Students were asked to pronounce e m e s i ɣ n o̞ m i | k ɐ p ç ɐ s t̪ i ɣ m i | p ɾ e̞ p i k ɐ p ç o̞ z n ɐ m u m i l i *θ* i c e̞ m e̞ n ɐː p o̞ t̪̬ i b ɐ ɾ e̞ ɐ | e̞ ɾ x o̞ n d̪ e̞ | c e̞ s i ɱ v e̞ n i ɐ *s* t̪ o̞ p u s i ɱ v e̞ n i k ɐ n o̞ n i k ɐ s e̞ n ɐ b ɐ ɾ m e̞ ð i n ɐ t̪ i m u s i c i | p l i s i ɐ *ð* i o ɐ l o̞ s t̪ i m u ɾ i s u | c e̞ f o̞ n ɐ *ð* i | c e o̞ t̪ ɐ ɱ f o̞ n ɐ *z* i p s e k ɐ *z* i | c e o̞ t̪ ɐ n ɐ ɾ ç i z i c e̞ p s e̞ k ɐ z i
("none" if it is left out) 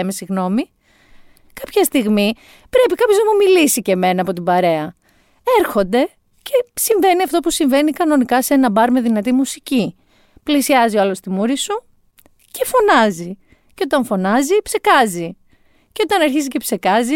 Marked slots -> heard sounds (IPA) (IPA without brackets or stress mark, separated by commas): s, f, z, z, z, z